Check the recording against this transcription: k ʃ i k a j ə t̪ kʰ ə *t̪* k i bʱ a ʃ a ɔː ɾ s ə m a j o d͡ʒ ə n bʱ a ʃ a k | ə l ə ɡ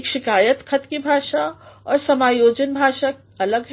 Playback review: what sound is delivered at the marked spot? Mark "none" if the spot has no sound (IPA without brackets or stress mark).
t̪